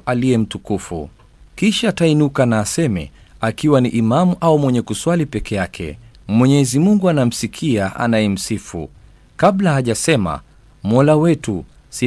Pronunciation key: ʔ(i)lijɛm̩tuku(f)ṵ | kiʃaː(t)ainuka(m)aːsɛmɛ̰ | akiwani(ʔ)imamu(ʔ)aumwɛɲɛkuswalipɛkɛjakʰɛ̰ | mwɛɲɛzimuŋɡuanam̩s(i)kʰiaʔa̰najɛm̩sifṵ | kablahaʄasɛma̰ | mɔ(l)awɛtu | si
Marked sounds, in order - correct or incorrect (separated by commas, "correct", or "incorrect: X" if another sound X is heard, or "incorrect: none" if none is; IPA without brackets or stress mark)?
incorrect: a, correct, correct, incorrect: n, correct, correct, correct, correct